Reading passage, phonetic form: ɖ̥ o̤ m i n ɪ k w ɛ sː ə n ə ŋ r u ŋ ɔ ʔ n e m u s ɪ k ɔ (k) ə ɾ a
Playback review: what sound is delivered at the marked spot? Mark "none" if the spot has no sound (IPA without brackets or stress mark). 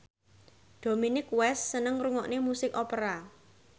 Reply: p